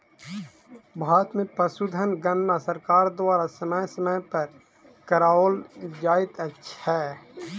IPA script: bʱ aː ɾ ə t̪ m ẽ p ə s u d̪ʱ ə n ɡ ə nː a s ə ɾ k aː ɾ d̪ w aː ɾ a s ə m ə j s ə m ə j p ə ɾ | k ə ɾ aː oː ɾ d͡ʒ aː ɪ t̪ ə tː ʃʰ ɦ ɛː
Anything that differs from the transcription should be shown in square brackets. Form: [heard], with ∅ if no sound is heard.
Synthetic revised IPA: bʱ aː ɾ ə t̪ m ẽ p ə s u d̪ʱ ə n ɡ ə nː a s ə ɾ k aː ɾ d̪ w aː ɾ a s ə m ə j s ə m ə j p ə ɾ | k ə ɾ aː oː [l] d͡ʒ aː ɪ t̪ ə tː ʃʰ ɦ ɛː